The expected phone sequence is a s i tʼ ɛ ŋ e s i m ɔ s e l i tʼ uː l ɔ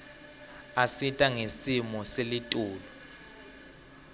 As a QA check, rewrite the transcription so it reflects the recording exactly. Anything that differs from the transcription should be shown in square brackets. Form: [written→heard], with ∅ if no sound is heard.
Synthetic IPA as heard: a s i tʼ [ɛ→a] ŋ e s i m ɔ s e l i tʼ uː l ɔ